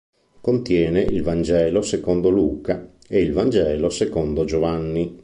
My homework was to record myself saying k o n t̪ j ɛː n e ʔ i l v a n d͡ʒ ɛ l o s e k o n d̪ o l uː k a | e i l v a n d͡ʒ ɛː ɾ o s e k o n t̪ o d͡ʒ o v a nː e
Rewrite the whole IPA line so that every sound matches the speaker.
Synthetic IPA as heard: k o n t̪ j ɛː n e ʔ i l v a n d͡ʒ ɛː l o s e k o n d̪ o l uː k a | e i l v a n d͡ʒ ɛː l o s e k o n d̪ o d͡ʒ o v a nː i

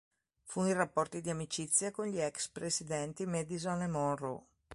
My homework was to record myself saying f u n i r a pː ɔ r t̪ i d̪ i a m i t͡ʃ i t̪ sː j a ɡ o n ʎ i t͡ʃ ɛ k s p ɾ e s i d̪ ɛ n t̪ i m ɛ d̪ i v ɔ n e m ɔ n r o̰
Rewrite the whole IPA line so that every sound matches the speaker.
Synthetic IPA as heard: f u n i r a pː ɔ r t̪ i d̪ i a m i t͡ʃ i t̪ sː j a k o n ʎ i ɛ k s p ɾ e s i d̪ ɛ n t̪ i m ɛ d̪ i z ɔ n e m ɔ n r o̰

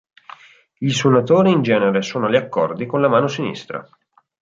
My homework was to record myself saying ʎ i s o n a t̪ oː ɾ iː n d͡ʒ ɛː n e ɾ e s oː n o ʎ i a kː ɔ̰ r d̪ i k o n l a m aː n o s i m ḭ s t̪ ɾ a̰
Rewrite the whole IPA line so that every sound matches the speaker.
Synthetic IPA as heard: ʎ i s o n a t̪ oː ɾ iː n d͡ʒ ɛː n e ɾ e s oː n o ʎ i a kː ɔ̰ r d̪ i k o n l a m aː n o s i n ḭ s t̪ ɾ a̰

